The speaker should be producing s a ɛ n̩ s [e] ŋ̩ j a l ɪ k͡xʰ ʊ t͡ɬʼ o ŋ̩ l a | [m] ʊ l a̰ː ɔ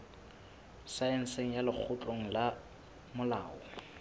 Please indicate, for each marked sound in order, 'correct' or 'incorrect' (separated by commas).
correct, correct